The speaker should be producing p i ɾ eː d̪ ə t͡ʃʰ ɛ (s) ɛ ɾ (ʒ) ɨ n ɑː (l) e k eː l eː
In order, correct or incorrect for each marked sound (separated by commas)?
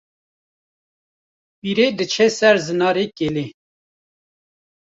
correct, incorrect, incorrect